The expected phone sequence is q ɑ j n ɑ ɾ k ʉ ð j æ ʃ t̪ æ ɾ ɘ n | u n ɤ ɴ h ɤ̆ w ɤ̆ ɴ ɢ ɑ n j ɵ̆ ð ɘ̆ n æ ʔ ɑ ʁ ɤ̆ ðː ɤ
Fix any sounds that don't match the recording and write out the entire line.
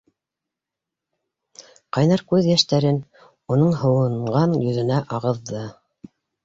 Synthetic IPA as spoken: q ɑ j n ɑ ɾ k ʉ ð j æ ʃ t̪ æ ɾ ɘ n | u n ɤ ɴ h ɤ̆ w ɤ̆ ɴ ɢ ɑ n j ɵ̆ ð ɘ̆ n æ ʔ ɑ ʁ ɤ̆ ðː ɤ